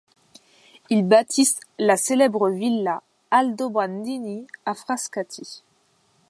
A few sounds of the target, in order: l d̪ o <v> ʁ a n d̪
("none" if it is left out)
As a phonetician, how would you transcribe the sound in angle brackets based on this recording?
b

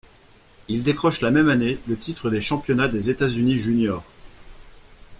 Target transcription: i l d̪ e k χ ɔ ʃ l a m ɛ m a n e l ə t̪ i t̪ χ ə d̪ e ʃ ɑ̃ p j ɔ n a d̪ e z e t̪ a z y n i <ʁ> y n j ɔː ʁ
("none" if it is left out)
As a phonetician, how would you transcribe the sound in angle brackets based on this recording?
ʒ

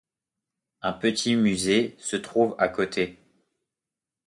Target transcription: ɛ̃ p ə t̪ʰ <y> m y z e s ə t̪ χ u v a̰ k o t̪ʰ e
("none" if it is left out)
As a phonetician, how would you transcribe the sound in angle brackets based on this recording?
i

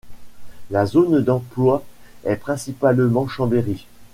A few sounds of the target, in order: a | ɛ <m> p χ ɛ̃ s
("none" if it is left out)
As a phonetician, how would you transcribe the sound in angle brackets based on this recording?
none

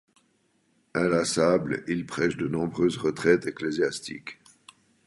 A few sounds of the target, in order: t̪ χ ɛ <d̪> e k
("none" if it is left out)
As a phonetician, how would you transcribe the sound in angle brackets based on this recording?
t̪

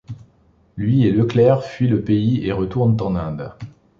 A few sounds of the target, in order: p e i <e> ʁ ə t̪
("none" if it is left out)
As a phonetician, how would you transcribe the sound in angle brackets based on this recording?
e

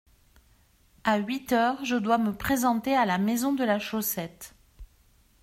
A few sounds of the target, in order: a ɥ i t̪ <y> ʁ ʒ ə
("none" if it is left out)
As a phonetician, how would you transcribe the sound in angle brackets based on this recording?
œ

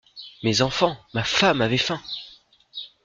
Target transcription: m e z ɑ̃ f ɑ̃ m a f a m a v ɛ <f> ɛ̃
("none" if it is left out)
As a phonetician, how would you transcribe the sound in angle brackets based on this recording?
f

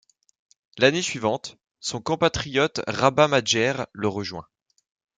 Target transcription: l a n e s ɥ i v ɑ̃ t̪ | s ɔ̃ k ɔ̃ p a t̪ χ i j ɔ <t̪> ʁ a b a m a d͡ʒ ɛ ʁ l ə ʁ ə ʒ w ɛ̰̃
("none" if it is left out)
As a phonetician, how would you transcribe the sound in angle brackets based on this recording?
t̪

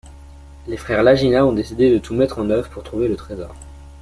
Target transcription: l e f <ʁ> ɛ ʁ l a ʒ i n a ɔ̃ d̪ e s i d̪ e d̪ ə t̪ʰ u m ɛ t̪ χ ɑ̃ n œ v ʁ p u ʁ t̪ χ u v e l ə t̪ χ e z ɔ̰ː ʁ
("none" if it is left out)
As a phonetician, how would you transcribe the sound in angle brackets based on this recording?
χ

